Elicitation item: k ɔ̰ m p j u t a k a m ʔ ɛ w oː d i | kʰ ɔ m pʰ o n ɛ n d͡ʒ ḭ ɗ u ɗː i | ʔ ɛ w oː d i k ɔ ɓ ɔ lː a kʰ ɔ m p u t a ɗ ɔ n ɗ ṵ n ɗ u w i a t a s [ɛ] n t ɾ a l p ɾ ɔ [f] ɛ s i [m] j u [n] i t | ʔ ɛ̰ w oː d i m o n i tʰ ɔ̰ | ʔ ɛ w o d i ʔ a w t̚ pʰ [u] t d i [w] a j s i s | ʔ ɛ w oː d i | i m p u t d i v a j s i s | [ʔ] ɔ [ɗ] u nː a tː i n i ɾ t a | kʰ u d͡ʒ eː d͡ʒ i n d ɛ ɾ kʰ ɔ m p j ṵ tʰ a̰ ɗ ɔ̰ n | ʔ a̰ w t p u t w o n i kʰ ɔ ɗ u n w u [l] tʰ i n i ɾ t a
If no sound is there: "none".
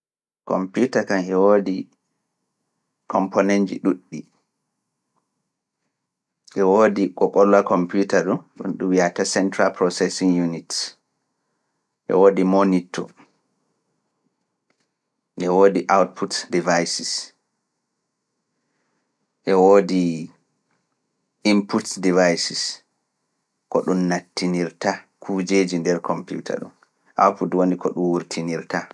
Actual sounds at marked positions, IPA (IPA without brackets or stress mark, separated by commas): ɛ, s, ŋ, n, u, v, k, ɗ, ɾ